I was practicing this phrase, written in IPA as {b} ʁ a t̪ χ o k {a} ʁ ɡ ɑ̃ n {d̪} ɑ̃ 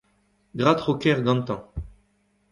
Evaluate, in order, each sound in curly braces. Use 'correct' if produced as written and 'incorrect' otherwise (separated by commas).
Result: incorrect, incorrect, incorrect